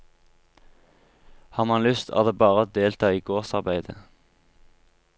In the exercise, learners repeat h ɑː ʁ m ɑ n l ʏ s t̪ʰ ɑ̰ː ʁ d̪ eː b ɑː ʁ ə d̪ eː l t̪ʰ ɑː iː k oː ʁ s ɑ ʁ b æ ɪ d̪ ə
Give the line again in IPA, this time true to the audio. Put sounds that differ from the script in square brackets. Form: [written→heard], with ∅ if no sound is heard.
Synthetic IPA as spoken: h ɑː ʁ m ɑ n l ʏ s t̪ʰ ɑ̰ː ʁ d̪ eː b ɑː ʁ ə d̪ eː l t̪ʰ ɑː iː [k→ɡ] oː ʁ s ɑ ʁ b æ ɪ d̪ ə